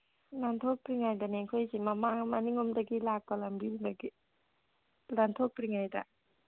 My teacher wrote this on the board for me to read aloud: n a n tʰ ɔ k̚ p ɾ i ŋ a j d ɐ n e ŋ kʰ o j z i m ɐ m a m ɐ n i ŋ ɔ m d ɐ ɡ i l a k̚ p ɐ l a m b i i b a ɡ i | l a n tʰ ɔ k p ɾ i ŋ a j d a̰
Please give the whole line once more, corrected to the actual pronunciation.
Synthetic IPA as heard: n a n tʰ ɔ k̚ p ɾ i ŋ a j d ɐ n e ŋ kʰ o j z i m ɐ m a m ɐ n i ŋ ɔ m d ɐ ɡ i l a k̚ p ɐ l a m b i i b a ɡ i | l a n tʰ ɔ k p ɾ i ŋ a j d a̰